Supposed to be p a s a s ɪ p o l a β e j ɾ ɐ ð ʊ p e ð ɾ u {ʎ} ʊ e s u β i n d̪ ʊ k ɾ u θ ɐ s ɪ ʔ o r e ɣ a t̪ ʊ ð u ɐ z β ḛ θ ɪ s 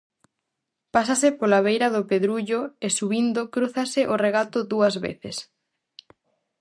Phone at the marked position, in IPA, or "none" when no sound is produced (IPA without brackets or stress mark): ʎ